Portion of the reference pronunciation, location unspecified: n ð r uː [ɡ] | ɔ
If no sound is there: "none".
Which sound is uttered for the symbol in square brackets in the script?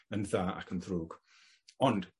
ɡ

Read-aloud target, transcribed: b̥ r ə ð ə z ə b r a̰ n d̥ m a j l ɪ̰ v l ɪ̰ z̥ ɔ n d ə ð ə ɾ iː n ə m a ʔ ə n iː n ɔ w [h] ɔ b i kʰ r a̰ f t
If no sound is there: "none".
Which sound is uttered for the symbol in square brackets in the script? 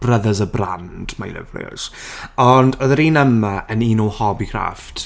h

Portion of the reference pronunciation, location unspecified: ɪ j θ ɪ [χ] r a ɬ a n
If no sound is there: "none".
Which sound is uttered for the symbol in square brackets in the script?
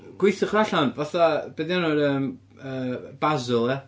χ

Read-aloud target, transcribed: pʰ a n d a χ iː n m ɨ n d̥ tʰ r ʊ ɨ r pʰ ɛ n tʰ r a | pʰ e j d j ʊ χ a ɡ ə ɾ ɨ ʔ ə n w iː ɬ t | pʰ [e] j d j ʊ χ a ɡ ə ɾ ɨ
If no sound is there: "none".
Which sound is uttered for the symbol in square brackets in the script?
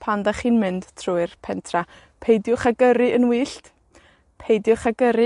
e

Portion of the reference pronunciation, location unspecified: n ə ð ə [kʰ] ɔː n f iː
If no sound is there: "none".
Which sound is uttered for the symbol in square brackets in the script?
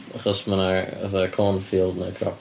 kʰ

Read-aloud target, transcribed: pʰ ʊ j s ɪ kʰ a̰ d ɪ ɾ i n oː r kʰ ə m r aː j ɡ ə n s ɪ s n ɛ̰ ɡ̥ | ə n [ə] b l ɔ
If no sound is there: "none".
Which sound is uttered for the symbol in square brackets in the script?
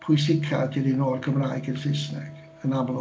a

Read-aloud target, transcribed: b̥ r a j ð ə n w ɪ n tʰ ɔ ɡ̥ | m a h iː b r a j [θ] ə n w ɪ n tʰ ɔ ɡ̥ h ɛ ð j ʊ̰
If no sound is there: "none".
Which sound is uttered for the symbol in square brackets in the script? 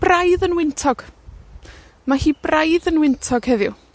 ð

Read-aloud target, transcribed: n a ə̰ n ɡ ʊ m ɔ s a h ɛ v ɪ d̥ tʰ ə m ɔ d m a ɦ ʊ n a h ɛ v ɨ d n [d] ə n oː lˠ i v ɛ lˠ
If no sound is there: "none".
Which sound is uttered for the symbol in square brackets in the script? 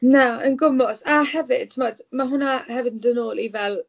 d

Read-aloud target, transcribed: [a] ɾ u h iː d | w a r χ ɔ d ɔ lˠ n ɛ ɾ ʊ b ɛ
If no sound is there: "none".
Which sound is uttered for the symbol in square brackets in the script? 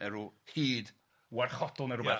ɛ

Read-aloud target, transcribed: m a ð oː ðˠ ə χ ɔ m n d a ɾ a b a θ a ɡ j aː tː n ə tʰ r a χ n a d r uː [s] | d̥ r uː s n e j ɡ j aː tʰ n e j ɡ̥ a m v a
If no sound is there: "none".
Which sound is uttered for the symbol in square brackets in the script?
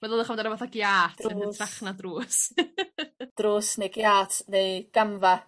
s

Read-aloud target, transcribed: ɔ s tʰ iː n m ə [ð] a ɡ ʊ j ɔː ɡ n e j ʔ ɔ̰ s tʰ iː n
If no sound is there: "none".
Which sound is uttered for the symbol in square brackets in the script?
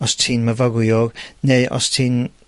v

